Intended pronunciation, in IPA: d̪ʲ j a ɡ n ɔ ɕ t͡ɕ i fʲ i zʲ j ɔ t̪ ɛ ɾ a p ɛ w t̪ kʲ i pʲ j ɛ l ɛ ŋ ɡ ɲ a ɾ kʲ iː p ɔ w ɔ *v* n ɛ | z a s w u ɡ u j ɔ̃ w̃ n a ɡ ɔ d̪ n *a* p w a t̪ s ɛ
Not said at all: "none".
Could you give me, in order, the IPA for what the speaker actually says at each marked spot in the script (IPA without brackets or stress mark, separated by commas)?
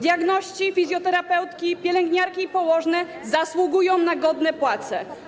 ʐ, ɛ